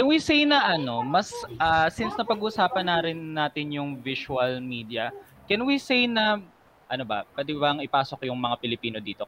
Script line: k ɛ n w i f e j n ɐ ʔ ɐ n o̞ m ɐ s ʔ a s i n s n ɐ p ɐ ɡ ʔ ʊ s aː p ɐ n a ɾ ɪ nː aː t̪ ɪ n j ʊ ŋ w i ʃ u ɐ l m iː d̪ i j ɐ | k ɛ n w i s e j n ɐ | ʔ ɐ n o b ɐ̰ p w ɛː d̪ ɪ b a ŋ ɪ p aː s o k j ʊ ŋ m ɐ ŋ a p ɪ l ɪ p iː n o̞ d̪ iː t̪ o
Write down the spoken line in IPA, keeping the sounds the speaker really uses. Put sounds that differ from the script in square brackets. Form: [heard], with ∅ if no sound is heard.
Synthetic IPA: k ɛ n w i [s] e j n ɐ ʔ ɐ n o̞ m ɐ s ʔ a s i n s n ɐ p ɐ ɡ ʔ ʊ s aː p ɐ n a ɾ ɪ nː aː t̪ ɪ n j ʊ ŋ [v] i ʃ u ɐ l m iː d̪ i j ɐ | k ɛ n w i s e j n ɐ | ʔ ɐ n o b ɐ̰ p w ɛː d̪ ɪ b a ŋ ɪ p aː s o k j ʊ ŋ m ɐ ŋ a p ɪ l ɪ p iː n o̞ d̪ iː t̪ o